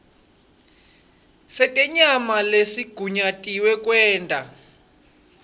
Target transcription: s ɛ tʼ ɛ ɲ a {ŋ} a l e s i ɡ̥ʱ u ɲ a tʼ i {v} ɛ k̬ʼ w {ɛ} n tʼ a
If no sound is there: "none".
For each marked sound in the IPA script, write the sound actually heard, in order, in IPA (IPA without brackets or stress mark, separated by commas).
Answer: m, w, ɛː